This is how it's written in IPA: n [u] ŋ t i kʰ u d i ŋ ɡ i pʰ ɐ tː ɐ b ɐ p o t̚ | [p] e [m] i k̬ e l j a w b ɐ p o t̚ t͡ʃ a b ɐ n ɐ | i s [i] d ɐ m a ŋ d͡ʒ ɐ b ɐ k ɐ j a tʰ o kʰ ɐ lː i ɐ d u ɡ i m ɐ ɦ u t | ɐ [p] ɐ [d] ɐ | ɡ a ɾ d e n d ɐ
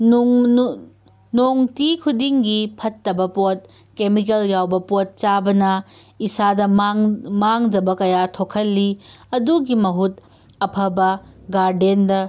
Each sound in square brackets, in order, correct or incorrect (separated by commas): incorrect, incorrect, correct, incorrect, incorrect, incorrect